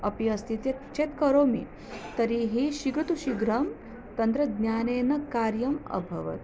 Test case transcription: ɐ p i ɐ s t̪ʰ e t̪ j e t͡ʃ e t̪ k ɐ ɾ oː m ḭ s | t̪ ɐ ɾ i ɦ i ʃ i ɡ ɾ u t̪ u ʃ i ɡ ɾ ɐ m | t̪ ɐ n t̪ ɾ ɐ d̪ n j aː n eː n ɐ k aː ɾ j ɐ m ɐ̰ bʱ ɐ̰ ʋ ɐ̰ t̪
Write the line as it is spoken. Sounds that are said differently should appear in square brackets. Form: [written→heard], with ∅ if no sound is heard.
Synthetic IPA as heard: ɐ p i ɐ s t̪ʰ [e→i] t̪ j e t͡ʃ e t̪ k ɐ ɾ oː m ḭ [s→∅] | t̪ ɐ ɾ i ɦ i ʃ i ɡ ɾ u t̪ u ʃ i ɡ ɾ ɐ m | t̪ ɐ n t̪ ɾ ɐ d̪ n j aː n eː n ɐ k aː ɾ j ɐ m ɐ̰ bʱ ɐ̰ ʋ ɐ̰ t̪